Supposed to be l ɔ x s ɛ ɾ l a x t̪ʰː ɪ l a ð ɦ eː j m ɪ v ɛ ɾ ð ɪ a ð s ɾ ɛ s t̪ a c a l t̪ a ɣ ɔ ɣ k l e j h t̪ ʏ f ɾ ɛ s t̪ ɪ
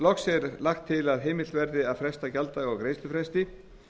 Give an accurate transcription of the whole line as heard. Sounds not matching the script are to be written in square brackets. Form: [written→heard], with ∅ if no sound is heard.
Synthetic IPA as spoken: l ɔ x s ɛ ɾ l a x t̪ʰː ɪ l a ð ɦ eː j m ɪ v ɛ ɾ ð ɪ a ð [s→f] ɾ ɛ s t̪ a c a l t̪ a ɣ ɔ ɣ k [l→ɾ] e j [h→s] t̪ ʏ f ɾ ɛ s t̪ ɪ